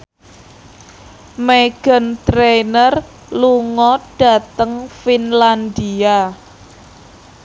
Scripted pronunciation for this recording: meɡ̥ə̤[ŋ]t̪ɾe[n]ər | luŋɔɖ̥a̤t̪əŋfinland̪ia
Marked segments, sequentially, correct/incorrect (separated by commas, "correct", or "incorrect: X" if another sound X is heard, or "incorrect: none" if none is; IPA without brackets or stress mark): incorrect: n, correct